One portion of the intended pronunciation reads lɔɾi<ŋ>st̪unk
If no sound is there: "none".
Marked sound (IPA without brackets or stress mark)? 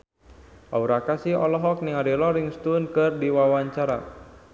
ŋ